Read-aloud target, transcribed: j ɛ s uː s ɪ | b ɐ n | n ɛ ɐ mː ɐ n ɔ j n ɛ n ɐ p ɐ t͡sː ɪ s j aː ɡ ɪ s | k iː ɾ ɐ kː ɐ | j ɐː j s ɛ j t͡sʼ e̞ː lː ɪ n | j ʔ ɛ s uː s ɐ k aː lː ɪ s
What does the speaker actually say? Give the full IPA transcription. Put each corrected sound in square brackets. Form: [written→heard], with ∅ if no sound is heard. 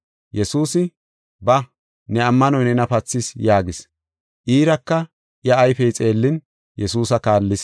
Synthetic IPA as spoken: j ɛ s uː s ɪ | b ɐ [n→∅] | n ɛ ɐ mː ɐ n ɔ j n ɛ n ɐ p ɐ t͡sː ɪ s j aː ɡ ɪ s | [k→ʔ] iː ɾ ɐ kː ɐ | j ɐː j [s→f] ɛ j t͡sʼ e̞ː lː ɪ n | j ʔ ɛ s uː s ɐ k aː lː ɪ s

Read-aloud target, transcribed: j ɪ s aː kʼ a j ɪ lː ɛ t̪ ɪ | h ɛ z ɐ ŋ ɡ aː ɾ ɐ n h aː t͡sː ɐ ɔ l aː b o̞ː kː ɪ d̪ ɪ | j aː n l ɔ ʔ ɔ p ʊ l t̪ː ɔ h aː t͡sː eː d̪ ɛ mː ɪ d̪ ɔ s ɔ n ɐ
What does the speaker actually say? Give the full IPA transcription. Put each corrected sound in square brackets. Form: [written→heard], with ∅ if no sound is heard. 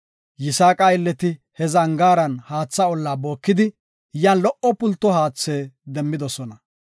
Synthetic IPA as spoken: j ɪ s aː kʼ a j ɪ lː ɛ t̪ ɪ | h ɛ z ɐ ŋ ɡ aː ɾ ɐ n h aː t͡sː ɐ ɔ [l→lː] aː b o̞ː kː ɪ d̪ ɪ | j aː n l ɔ ʔ ɔ p ʊ l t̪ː ɔ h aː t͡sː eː d̪ ɛ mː ɪ d̪ ɔ s ɔ n ɐ

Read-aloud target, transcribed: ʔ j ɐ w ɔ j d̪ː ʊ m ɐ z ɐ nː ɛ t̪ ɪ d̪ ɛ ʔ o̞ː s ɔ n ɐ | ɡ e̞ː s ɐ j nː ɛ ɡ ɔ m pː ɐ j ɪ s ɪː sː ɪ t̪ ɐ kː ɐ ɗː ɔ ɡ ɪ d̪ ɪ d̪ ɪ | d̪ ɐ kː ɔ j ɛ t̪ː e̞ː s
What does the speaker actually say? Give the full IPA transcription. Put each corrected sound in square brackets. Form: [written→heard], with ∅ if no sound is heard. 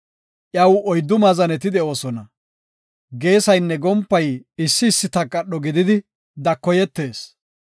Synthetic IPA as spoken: ʔ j ɐ w ɔ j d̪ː ʊ m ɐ z ɐ [nː→n] ɛ t̪ ɪ d̪ ɛ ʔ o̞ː s ɔ n ɐ | ɡ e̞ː s ɐ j nː ɛ ɡ ɔ m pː ɐ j ɪ [s→sː] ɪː sː ɪ t̪ ɐ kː ɐ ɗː ɔ ɡ ɪ d̪ ɪ d̪ ɪ | d̪ ɐ kː ɔ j ɛ t̪ː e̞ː s

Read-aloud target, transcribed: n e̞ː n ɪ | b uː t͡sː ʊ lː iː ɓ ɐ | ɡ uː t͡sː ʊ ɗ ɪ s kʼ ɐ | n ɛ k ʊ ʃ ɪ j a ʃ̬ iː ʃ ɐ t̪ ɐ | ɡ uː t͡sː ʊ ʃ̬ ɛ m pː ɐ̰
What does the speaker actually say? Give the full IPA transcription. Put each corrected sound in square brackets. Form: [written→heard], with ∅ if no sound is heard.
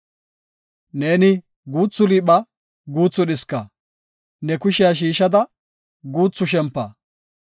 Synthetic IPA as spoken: n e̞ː n ɪ | [b→ɡ] uː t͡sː ʊ [lː→l] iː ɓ ɐ | ɡ uː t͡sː ʊ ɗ ɪ s [kʼ→k] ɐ | n ɛ k ʊ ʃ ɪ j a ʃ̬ iː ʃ ɐ [t̪→d̪] ɐ | ɡ uː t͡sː ʊ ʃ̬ ɛ m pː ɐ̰

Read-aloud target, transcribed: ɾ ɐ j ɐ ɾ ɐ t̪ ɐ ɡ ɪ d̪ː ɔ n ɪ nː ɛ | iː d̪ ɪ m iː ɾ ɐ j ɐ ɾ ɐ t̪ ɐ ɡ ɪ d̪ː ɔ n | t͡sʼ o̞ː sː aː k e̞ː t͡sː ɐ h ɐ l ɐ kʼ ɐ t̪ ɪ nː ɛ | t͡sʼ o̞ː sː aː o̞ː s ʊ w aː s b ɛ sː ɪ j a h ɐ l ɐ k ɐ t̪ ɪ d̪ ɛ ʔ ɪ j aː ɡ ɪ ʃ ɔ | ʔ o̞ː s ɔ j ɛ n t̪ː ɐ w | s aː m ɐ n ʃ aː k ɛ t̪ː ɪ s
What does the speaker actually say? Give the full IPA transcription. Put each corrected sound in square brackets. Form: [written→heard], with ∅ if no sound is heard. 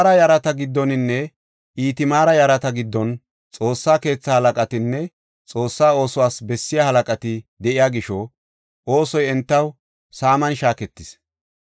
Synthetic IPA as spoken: ɾ ɐ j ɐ ɾ ɐ t̪ ɐ ɡ ɪ d̪ː ɔ n ɪ nː ɛ | iː [d̪→t̪] ɪ m [iː→aː] ɾ ɐ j ɐ ɾ ɐ t̪ ɐ ɡ ɪ d̪ː ɔ n | t͡sʼ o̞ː sː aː k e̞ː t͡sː ɐ h ɐ l ɐ kʼ ɐ t̪ ɪ nː ɛ | t͡sʼ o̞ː sː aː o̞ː s ʊ w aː s b ɛ sː ɪ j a h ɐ l ɐ [k→kʼ] ɐ t̪ ɪ d̪ ɛ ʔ ɪ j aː ɡ ɪ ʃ ɔ | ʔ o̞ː s ɔ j ɛ n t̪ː ɐ w | s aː m ɐ n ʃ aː k ɛ t̪ː ɪ s

